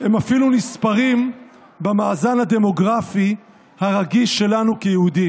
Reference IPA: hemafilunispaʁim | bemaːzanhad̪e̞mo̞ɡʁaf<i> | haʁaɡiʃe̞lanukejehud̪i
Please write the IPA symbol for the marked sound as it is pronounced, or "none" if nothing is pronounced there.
i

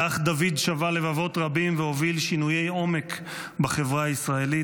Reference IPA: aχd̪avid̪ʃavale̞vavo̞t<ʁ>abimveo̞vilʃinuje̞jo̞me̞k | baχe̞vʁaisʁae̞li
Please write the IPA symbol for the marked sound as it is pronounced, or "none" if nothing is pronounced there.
ʁ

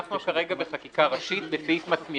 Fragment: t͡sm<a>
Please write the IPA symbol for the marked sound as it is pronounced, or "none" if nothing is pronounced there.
i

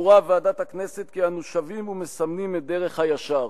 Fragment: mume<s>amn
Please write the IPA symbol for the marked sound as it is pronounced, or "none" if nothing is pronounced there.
s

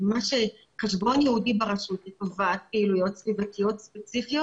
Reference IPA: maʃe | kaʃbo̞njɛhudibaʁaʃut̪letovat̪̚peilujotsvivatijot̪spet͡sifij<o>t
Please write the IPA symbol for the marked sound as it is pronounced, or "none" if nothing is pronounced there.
o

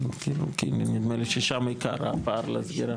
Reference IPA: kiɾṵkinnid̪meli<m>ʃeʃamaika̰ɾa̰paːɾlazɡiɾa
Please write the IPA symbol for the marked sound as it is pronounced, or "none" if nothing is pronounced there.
none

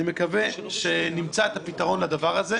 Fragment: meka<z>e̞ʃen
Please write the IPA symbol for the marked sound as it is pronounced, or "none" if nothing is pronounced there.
v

